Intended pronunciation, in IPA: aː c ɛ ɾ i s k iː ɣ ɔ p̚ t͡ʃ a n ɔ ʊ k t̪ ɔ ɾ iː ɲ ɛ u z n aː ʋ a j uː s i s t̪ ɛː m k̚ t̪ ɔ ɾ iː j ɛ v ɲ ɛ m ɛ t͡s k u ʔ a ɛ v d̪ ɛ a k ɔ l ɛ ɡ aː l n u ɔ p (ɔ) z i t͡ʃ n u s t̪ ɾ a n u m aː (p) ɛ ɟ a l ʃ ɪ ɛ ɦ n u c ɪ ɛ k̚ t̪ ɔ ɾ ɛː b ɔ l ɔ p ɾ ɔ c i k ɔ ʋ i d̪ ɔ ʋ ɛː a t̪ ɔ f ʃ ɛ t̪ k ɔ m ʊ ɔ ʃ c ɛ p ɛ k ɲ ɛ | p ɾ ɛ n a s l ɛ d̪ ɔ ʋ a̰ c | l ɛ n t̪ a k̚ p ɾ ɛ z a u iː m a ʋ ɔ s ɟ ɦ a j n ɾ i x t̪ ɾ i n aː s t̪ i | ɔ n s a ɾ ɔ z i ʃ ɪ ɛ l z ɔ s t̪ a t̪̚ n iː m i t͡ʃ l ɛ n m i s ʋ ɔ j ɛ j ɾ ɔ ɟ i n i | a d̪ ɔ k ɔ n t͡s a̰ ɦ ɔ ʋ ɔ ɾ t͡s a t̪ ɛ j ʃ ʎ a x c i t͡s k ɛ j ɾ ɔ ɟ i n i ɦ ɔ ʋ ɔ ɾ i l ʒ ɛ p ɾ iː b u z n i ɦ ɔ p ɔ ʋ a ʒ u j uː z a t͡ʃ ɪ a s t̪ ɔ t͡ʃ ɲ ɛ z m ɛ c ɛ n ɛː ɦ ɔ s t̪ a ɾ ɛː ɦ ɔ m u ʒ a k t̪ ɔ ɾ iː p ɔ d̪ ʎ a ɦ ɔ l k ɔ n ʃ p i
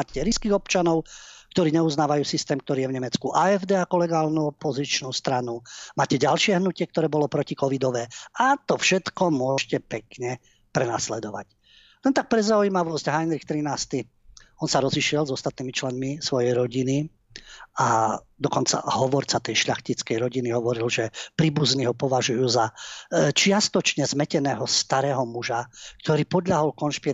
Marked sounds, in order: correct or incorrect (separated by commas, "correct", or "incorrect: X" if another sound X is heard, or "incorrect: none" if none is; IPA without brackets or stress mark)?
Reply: correct, incorrect: c